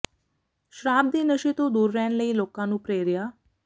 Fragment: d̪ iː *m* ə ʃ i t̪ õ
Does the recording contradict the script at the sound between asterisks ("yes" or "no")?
yes